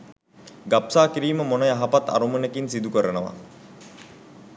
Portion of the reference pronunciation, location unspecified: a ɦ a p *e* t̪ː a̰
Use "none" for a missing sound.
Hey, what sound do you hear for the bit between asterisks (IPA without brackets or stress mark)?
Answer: a